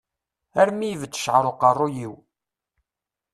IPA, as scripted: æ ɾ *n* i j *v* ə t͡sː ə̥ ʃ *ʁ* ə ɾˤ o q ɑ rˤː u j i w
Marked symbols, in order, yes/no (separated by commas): no, yes, no